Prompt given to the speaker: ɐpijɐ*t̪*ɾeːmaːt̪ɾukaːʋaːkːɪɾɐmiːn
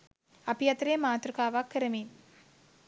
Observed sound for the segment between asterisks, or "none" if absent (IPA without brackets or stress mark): t̪